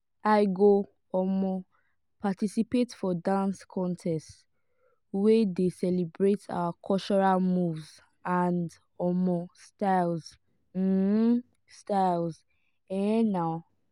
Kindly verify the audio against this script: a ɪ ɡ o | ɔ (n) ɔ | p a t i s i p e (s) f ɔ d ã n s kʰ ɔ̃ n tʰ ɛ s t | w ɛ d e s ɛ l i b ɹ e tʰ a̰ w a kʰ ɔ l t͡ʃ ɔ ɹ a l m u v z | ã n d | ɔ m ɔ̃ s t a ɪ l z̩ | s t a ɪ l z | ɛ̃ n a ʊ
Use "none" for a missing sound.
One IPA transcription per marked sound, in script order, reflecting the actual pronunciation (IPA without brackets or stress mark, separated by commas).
m, t